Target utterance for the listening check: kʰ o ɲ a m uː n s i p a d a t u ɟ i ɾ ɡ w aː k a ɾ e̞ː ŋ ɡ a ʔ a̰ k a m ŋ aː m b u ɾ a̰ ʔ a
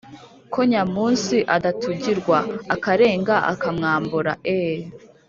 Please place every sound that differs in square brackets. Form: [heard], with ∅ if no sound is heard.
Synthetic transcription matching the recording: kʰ o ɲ a m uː n s i [ʔ] a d a t u ɟ i ɾ ɡ w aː k a ɾ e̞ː ŋ ɡ a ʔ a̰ k a m ŋ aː m b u ɾ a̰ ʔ [e]